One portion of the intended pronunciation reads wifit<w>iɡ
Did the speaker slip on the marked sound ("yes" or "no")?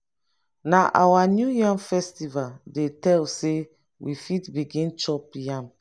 yes